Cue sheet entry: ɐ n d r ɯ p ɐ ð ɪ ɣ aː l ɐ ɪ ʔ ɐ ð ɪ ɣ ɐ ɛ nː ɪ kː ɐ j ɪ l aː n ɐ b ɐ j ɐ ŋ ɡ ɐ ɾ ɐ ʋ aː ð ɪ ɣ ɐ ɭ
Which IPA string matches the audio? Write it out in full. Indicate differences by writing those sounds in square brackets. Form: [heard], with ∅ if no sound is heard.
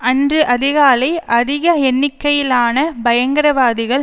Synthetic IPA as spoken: ɐ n d r ɯ [ʔ] ɐ ð ɪ ɣ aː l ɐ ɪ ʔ ɐ ð ɪ ɣ ɐ ɛ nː ɪ kː ɐ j ɪ l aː n ɐ b ɐ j ɐ ŋ ɡ ɐ ɾ ɐ ʋ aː ð ɪ ɣ ɐ ɭ